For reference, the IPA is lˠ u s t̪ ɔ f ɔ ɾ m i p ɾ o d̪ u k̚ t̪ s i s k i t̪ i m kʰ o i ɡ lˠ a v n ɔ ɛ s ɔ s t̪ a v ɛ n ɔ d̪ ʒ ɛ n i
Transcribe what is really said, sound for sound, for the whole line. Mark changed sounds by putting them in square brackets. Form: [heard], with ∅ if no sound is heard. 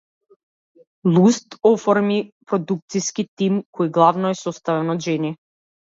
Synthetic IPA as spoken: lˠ u s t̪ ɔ f ɔ ɾ m i p ɾ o d̪ u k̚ t̪ s i s k i t̪ i m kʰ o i ɡ lˠ a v n ɔ ɛ s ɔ s t̪ a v ɛ n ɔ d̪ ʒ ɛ n i